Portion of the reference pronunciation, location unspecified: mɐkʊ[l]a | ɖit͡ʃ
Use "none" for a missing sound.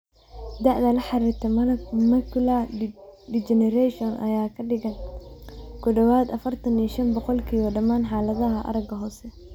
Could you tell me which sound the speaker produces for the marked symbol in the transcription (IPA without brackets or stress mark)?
l